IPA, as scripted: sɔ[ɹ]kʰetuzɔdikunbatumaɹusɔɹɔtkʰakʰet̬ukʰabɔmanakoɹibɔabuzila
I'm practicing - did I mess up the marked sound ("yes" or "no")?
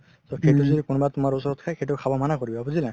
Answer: yes